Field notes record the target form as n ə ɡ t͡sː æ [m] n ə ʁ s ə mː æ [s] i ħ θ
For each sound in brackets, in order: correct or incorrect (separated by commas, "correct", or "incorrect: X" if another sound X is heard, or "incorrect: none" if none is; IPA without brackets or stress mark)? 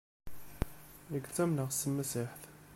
correct, correct